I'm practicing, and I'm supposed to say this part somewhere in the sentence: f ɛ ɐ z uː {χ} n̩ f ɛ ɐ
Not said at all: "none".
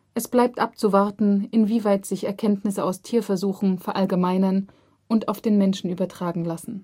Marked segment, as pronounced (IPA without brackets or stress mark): x